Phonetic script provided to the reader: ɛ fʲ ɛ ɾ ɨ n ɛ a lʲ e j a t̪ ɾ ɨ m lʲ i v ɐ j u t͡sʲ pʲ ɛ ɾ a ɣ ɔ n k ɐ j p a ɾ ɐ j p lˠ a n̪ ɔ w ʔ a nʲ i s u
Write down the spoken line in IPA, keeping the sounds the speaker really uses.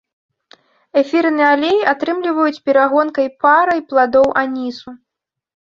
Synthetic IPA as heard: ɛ fʲ i ɾ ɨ n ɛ a lʲ e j a t̪ ɾ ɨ m lʲ i v ɐ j u t͡sʲ pʲ ɛ ɾ a ɣ ɔ n k ɐ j p a ɾ ɐ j p lˠ a d̪ ɔ w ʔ a nʲ i s u